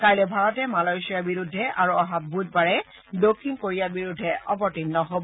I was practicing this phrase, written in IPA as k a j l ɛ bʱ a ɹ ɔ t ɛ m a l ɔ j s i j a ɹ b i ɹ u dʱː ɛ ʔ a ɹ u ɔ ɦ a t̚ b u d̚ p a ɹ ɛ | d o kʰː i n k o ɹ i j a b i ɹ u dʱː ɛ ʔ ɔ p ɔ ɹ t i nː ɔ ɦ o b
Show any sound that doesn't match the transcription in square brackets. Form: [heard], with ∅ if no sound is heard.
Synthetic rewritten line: k a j l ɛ bʱ a ɹ ɔ t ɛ m a l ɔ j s i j a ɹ b i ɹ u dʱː ɛ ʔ a ɹ u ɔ ɦ a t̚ b u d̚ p a ɹ ɛ | d o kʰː i n k o ɹ i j a b i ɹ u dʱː ɛ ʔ ɔ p ɔ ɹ t i nː ɔ ɦ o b